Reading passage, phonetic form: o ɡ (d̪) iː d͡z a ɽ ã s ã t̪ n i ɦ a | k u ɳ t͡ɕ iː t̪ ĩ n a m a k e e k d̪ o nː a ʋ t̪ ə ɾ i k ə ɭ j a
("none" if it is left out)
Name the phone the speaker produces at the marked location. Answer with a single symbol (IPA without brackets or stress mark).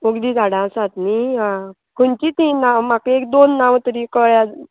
d̪